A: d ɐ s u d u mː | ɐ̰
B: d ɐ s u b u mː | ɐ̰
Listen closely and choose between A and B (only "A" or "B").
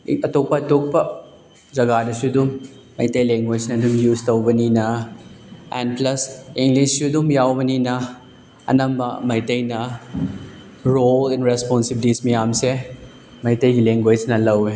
A